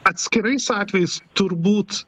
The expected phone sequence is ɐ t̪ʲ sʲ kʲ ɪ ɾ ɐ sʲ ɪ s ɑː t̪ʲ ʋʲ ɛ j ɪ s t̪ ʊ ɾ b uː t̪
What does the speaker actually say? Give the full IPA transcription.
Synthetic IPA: ɐ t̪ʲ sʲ kʲ ɪ ɾ ɐ ɪ s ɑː t̪ʲ ʋʲ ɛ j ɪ s t̪ ʊ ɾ b uː t̪